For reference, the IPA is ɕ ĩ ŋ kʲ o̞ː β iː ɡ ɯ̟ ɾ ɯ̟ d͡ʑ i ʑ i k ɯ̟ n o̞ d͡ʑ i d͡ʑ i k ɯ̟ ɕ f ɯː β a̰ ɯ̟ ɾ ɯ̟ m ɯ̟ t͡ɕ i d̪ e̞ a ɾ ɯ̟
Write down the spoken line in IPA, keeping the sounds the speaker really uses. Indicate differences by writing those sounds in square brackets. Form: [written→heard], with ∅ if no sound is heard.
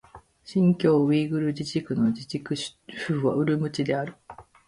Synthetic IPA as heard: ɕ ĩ ŋ kʲ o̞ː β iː ɡ ɯ̟ ɾ ɯ̟ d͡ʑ i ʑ i k ɯ̟ n o̞ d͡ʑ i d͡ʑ i k ɯ̟ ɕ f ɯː β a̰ ɯ̟ ɾ ɯ̟ m ɯ̟ t͡ɕ i d̪ e̞ a ɾ ɯ̟